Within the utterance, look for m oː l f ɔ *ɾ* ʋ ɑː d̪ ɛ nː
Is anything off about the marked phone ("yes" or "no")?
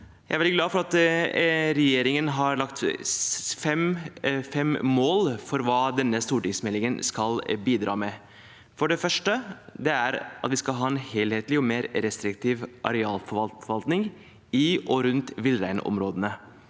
no